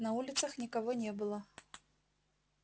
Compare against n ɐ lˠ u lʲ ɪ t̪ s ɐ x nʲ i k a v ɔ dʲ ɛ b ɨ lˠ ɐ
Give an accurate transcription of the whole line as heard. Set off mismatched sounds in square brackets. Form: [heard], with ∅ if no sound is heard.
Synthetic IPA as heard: n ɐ [∅] u lʲ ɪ t̪ s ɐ x nʲ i k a v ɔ [nʲ] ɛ b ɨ lˠ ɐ